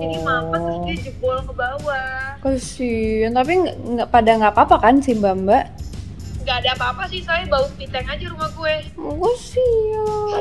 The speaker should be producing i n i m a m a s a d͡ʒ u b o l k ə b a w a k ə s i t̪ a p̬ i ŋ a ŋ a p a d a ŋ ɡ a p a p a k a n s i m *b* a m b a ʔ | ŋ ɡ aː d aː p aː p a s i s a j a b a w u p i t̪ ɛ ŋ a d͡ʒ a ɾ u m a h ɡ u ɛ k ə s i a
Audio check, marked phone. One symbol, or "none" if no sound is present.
b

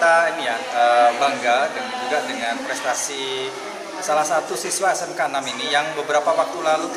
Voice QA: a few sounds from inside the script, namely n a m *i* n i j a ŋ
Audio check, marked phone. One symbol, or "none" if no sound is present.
i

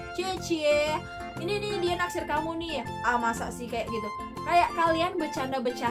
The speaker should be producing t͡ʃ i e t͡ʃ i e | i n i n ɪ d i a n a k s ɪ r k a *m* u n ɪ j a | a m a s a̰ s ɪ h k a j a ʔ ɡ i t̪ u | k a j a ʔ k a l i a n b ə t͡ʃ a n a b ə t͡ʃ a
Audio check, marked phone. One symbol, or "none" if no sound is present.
m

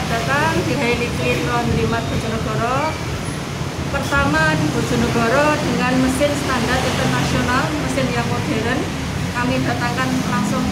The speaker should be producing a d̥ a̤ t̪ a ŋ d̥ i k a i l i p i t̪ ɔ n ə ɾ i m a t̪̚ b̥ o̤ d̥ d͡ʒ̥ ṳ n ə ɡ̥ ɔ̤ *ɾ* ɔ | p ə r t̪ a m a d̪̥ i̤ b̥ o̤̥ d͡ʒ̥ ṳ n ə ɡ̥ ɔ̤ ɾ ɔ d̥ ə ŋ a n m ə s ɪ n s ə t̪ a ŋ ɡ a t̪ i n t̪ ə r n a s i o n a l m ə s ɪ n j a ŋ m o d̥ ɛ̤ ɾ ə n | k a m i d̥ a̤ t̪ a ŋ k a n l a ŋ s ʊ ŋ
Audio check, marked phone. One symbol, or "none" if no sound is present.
ɾ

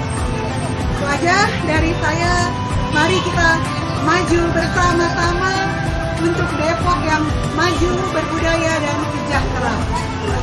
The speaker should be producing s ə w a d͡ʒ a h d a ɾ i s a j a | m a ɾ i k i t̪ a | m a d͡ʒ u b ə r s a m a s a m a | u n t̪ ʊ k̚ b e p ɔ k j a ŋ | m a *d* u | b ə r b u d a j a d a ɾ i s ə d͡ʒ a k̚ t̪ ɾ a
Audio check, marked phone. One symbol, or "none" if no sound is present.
d͡ʒ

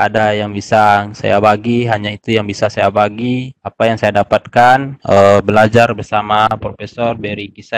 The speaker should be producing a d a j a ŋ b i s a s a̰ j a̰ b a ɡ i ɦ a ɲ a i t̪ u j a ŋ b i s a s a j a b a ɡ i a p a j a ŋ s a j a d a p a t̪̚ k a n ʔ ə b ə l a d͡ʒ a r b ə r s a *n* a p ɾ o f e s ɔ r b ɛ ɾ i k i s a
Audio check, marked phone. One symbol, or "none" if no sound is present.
m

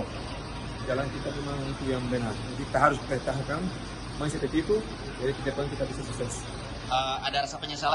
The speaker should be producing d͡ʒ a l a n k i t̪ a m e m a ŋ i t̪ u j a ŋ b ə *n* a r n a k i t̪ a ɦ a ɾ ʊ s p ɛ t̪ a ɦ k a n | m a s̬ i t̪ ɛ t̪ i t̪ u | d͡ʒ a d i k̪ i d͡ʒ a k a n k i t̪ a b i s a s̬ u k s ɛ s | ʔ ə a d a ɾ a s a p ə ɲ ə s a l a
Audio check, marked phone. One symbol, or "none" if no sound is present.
n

